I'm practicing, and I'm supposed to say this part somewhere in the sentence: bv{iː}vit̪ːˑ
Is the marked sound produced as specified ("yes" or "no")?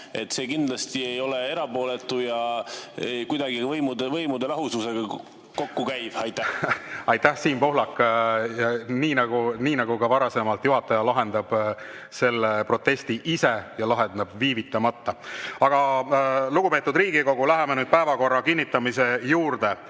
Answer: yes